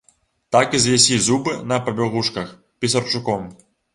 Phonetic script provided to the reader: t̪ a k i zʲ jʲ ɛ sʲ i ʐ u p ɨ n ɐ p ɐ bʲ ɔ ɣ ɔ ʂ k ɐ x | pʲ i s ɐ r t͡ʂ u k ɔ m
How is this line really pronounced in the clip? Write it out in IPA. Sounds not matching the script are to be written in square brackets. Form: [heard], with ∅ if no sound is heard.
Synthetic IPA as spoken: t̪ a k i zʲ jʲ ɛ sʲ i [z] u [b] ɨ n ɐ p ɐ bʲ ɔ ɣ [u] ʂ k ɐ x | pʲ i s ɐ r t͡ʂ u k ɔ m